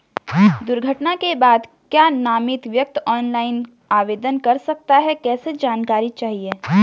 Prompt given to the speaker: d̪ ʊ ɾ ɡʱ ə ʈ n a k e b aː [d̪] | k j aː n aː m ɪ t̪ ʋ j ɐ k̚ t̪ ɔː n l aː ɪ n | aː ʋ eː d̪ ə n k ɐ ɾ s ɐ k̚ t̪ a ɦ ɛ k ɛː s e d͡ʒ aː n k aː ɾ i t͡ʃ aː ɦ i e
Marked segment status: correct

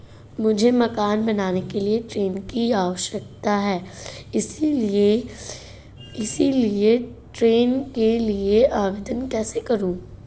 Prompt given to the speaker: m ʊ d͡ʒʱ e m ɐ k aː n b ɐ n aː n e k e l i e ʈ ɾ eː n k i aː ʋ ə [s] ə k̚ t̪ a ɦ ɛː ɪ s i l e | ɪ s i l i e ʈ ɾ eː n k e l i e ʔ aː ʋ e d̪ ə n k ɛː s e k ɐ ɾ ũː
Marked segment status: incorrect: ʃ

